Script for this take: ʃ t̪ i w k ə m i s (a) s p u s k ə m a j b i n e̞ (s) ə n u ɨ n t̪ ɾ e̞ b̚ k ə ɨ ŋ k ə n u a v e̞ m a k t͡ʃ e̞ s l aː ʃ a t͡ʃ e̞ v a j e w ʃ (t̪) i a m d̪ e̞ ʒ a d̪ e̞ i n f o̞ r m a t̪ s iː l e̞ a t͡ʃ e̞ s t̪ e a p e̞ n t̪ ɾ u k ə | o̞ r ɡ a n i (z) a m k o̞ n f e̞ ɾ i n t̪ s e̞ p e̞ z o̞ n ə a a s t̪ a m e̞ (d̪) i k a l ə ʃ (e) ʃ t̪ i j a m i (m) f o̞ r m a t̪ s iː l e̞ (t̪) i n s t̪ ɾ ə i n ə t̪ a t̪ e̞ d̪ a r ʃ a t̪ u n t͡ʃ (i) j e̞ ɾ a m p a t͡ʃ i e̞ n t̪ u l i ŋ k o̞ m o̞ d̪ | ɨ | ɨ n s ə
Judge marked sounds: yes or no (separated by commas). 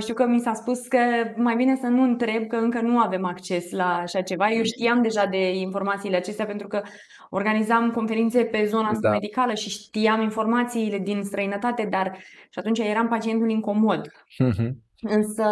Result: yes, yes, yes, yes, yes, no, no, no, no